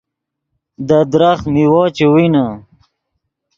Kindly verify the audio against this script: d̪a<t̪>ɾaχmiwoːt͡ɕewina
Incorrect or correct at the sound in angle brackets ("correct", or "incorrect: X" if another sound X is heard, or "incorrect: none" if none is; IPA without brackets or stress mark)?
incorrect: d̪